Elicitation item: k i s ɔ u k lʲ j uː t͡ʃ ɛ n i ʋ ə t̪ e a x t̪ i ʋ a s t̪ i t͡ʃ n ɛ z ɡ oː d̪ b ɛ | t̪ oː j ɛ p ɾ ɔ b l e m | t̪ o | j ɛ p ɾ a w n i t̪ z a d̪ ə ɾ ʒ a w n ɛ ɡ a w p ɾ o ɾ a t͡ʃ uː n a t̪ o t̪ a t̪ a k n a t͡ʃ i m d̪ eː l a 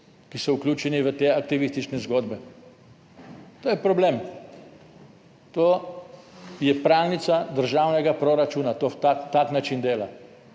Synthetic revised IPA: k i s ɔ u k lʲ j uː t͡ʃ ɛ n i ʋ ə t̪ e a k t̪ i ʋ i s t̪ i t͡ʃ n ɛ z ɡ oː d̪ b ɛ | t̪ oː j ɛ p ɾ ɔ b l e m | t̪ o | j ɛ p ɾ a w n i t̪ s a d̪ ə ɾ ʒ a w n ɛ ɡ a p ɾ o ɾ a t͡ʃ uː n a t̪ o t̪ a t̪ a k n a t͡ʃ i n d̪ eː l a